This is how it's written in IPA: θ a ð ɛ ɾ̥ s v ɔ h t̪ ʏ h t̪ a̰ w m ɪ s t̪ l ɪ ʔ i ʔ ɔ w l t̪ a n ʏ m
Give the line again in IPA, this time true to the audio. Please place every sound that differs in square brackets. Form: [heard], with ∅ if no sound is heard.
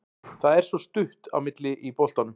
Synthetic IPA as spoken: θ a ð ɛ ɾ̥ s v ɔ [s] t̪ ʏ h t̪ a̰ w m ɪ [∅] t̪ l ɪ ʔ i [p] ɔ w l t̪ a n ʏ m